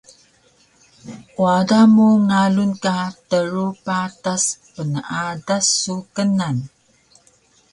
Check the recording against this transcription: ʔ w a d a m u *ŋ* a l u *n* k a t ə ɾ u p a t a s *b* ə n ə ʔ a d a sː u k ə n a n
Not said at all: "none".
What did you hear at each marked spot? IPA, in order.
ŋ, n, p

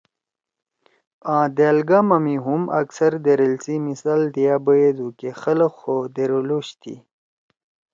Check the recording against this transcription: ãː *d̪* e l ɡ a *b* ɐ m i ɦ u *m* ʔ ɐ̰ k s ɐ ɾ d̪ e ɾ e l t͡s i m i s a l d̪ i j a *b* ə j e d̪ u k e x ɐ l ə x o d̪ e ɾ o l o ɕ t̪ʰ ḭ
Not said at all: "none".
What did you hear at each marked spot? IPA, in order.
d̪, m, m, b

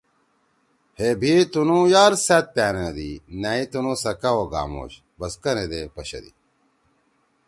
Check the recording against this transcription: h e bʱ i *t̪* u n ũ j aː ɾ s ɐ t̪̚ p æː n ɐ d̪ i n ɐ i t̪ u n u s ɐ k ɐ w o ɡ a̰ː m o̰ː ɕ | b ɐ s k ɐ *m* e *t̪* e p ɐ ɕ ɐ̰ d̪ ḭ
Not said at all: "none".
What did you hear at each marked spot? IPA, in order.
t̪, n, d̪

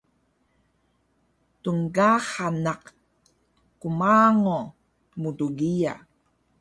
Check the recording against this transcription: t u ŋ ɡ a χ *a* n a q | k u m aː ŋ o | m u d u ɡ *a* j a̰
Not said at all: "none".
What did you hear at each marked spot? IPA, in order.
a, i

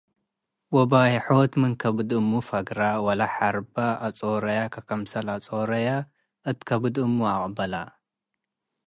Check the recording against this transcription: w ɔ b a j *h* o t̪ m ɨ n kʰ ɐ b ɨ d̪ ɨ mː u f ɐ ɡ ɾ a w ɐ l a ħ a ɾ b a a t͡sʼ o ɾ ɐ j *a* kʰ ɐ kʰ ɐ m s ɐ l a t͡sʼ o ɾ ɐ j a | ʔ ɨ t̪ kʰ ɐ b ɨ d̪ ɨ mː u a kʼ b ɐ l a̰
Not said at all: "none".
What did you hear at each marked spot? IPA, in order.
ħ, a

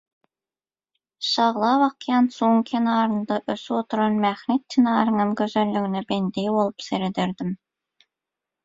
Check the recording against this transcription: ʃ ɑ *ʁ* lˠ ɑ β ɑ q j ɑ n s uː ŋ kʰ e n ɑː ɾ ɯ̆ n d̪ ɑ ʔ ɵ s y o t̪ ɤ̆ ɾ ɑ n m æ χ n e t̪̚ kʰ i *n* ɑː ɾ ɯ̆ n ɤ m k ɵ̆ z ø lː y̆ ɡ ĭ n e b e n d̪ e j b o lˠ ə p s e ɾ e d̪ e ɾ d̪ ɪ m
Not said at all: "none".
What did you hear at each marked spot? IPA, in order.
ʁ, n

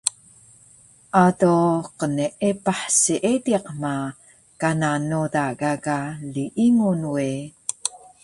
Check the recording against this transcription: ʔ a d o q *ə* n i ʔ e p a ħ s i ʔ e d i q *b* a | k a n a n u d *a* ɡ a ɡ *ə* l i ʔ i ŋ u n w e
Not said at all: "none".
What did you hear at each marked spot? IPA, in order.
ə, m, a, a

